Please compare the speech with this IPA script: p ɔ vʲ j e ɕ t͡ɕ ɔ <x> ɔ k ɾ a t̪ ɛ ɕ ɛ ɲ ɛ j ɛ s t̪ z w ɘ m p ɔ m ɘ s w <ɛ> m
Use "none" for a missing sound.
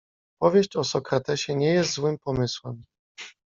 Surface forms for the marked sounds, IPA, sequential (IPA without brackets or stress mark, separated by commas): s, ɛ